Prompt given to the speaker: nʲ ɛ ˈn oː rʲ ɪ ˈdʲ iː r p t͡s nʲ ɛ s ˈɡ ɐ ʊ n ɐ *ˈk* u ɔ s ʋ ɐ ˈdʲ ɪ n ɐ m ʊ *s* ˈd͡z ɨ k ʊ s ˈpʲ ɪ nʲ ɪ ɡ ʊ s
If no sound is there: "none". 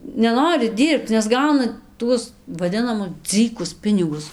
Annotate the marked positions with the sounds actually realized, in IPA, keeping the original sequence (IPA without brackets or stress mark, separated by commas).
t, s